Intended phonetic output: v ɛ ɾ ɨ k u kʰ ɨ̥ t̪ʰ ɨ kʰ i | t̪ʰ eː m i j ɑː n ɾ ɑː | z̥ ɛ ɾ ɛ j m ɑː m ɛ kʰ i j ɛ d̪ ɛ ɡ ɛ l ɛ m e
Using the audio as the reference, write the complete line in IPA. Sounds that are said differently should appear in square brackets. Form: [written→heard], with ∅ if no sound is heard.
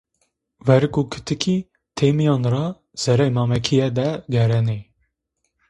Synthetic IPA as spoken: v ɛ ɾ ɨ k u kʰ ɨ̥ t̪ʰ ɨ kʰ i | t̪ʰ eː m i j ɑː n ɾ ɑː | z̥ ɛ ɾ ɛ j m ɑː m ɛ kʰ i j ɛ d̪ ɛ ɡ ɛ [l→ɾ] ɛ [m→n] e